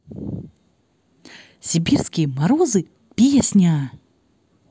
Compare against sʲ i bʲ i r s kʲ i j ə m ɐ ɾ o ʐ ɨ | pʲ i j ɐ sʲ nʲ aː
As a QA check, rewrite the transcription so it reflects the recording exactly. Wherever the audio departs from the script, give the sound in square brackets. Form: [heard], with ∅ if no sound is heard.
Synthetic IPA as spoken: sʲ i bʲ i r s kʲ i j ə m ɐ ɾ o [z] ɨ | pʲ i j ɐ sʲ nʲ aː